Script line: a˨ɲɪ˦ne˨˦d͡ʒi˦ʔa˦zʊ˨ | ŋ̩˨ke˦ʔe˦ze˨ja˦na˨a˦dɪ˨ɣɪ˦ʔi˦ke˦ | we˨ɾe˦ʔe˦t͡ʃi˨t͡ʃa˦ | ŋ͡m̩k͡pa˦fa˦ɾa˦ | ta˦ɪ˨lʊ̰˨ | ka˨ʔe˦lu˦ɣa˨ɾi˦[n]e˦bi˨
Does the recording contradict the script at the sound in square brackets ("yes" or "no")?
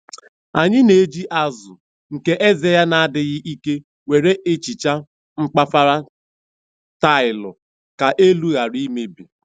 yes